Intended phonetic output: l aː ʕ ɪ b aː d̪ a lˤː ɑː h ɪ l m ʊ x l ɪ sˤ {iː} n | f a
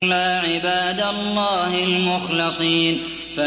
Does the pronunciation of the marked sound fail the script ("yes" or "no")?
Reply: no